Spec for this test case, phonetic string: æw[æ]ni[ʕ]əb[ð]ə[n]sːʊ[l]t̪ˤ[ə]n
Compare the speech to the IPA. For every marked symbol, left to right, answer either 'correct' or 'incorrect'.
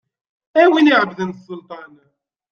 incorrect: i, correct, correct, correct, correct, incorrect: ɑ

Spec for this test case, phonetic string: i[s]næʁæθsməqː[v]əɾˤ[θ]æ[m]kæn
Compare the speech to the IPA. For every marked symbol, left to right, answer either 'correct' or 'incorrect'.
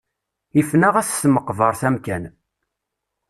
incorrect: f, correct, correct, correct

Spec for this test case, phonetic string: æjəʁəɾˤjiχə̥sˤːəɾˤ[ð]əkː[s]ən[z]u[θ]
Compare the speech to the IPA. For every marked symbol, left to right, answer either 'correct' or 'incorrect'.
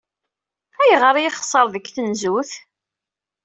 correct, incorrect: θ, correct, correct

